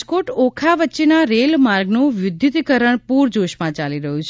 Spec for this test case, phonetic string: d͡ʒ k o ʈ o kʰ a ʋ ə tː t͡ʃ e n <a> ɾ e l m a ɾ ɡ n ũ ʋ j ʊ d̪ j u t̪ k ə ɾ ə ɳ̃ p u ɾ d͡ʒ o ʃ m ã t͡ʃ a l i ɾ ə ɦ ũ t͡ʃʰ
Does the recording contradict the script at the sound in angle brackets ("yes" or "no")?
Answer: no